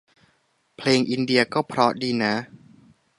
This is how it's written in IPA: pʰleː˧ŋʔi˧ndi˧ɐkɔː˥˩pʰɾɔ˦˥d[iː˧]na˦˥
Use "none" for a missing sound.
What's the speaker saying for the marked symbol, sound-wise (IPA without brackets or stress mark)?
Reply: iː˧